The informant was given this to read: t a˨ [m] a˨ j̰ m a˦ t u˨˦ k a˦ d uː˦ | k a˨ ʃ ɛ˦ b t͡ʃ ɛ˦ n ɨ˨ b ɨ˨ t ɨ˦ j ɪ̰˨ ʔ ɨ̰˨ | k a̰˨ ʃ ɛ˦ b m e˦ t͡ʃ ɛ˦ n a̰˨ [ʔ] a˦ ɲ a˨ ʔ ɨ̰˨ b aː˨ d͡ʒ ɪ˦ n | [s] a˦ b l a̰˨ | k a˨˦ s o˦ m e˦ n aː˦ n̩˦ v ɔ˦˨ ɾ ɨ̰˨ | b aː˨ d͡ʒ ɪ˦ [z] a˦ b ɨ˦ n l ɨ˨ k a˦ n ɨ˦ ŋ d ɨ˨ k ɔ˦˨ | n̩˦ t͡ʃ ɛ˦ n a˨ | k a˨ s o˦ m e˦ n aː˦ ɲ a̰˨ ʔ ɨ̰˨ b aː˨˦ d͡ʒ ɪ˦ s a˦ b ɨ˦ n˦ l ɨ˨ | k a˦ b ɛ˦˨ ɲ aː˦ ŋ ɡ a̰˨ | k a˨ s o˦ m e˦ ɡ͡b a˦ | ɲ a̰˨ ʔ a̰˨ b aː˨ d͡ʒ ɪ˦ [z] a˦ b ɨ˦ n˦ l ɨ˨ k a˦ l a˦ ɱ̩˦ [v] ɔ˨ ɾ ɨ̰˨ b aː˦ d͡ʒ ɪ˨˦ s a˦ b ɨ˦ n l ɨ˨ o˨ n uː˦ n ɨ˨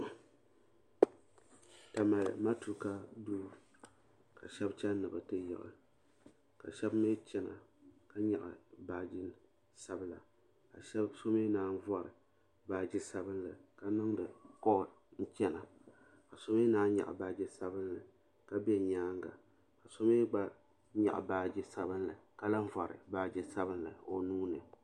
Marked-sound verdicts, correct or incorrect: correct, incorrect, correct, incorrect, incorrect, correct

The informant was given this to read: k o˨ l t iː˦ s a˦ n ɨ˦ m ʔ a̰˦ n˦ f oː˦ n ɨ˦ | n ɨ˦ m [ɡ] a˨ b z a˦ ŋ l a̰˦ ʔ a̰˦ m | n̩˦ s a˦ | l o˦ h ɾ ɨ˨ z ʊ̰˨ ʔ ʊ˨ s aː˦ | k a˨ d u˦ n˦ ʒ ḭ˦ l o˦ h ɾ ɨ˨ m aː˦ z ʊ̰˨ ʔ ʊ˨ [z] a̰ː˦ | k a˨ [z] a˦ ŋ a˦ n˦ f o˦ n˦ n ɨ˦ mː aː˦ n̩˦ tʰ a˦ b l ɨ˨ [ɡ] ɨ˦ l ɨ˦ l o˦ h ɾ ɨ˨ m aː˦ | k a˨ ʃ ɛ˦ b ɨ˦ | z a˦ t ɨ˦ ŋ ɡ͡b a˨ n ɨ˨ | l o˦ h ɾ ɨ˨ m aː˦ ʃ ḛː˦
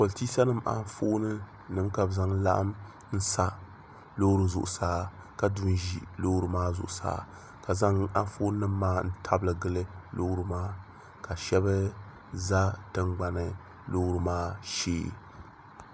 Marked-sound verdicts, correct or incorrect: incorrect, incorrect, correct, correct

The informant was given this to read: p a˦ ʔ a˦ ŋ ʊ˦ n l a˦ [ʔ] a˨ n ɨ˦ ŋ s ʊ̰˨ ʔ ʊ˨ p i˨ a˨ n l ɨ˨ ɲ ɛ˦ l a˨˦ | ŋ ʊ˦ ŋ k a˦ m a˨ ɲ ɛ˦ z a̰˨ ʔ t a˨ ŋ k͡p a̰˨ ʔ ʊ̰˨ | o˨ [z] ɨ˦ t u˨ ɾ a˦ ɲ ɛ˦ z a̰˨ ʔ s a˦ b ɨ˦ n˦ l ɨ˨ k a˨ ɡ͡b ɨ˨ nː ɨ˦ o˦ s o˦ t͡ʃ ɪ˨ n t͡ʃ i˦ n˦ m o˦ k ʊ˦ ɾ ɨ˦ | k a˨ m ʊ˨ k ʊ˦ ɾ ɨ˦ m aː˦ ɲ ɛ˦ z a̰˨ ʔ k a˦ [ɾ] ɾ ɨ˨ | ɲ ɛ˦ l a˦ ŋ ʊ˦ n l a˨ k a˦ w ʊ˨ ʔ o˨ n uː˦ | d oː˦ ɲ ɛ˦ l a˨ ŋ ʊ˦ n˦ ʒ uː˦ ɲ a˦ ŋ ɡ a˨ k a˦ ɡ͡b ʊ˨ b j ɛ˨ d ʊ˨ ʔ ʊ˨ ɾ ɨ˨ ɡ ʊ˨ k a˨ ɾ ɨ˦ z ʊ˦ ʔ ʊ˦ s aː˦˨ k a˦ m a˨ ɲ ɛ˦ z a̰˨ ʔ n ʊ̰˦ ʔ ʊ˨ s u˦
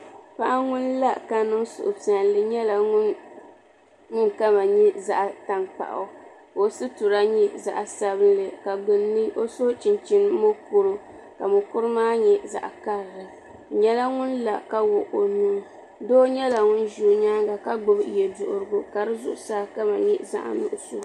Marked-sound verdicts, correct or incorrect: incorrect, incorrect, correct

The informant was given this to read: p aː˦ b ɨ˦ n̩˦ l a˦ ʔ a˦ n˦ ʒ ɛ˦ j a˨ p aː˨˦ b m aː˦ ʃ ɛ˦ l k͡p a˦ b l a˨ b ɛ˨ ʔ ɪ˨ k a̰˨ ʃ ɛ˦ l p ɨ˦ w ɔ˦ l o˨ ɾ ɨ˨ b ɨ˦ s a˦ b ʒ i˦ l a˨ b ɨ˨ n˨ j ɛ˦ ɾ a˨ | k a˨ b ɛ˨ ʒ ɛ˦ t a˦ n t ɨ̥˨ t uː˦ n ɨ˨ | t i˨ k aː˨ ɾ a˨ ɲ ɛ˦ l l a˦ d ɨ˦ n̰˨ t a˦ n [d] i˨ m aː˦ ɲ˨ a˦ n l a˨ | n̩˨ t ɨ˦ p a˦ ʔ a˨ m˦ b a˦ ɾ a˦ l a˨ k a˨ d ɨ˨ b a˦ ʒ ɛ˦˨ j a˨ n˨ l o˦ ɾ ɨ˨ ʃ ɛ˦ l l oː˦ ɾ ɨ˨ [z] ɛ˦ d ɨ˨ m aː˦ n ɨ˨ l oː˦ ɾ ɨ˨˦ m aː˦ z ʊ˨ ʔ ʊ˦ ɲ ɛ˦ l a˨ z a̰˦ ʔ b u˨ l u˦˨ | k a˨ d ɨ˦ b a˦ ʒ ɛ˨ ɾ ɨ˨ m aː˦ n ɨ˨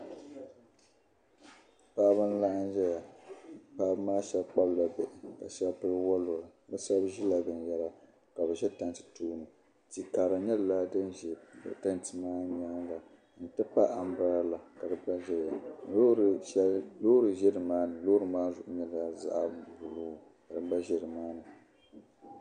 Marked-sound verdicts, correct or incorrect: incorrect, incorrect

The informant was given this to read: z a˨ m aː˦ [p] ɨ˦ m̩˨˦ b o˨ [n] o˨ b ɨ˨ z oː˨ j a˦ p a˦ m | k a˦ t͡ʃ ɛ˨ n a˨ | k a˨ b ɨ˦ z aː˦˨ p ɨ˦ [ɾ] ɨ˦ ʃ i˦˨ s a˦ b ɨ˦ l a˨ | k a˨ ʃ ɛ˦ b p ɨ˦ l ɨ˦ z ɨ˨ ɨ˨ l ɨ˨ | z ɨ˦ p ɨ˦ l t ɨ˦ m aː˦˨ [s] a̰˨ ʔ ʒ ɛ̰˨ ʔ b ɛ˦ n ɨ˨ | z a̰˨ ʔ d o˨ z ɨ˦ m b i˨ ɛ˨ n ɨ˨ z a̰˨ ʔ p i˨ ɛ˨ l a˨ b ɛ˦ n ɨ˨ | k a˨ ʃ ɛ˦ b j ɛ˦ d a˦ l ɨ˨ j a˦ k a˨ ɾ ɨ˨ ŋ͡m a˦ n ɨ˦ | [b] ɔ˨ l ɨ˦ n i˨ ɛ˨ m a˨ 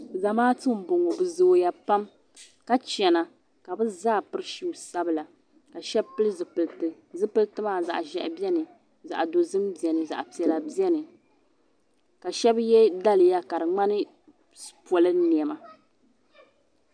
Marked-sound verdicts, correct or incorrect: incorrect, incorrect, correct, incorrect, incorrect

